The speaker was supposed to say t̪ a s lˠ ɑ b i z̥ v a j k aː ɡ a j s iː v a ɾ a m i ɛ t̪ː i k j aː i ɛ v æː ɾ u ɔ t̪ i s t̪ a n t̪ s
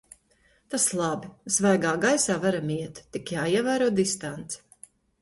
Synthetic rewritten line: t̪ a s lˠ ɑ b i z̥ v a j ɡ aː ɡ a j s aː v a ɾ a m i ɛ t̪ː i k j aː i ɛ v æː ɾ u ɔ d̪ i s t̪ a n t̪ s